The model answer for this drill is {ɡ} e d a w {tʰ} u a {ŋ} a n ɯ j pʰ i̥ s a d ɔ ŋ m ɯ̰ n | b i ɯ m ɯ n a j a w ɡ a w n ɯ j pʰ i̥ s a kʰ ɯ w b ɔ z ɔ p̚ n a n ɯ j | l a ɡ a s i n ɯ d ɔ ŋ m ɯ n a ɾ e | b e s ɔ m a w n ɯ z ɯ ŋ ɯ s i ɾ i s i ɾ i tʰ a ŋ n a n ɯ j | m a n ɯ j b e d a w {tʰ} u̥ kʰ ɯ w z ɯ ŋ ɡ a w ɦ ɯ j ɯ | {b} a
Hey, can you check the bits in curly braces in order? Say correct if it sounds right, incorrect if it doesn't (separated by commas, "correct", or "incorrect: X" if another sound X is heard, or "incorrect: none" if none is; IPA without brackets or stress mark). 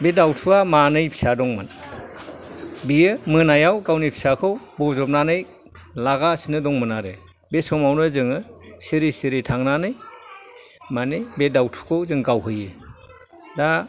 incorrect: b, correct, incorrect: m, correct, incorrect: d